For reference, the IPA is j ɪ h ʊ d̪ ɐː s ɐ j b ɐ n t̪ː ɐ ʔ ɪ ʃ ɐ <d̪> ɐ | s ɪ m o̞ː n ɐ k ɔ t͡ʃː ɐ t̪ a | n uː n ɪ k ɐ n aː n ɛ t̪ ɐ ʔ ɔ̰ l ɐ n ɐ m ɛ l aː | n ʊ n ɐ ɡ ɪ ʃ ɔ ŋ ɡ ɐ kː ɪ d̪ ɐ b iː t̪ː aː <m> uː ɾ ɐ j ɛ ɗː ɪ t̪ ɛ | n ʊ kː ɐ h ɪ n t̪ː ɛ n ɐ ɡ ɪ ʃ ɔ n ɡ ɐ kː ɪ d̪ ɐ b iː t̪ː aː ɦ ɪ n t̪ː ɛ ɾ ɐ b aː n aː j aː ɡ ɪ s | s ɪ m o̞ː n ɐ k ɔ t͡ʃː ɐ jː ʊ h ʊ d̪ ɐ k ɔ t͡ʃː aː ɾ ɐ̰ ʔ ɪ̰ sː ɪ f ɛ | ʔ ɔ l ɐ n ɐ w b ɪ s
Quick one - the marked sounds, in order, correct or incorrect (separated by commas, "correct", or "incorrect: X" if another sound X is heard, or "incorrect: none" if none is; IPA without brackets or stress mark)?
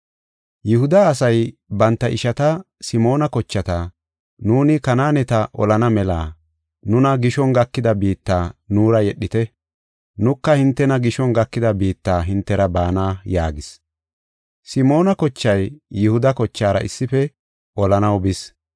incorrect: t̪, incorrect: n